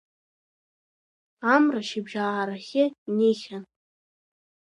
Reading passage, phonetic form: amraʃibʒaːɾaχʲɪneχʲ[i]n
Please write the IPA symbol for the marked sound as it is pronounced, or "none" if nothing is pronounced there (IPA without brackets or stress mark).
a